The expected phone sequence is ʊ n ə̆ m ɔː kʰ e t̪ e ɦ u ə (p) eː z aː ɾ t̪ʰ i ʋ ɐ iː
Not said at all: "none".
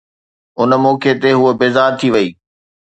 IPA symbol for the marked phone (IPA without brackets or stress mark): b